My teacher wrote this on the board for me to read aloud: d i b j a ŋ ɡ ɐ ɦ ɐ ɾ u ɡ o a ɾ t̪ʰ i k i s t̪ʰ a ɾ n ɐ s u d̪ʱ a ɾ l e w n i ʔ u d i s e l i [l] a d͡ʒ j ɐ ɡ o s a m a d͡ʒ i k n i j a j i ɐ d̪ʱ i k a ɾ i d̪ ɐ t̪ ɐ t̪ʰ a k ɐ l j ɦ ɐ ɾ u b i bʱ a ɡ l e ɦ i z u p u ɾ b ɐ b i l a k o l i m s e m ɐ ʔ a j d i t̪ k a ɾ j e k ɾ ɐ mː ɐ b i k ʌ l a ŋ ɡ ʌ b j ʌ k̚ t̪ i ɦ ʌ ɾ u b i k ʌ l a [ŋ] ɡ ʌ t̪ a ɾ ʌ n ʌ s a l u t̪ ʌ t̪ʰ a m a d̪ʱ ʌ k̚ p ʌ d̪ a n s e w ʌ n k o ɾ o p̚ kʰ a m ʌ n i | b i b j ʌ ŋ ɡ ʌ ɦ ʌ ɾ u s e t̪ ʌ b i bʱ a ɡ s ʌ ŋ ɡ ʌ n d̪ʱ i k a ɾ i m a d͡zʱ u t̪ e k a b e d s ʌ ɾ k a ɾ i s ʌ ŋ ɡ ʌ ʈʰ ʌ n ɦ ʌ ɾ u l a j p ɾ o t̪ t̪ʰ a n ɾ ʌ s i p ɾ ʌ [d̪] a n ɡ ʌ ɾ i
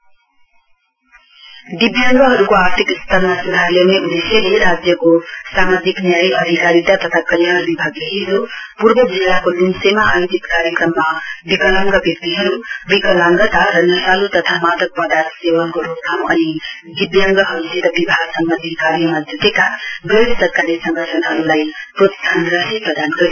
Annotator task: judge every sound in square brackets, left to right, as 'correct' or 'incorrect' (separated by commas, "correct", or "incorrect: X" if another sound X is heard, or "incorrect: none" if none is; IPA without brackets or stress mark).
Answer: incorrect: ɾ, correct, correct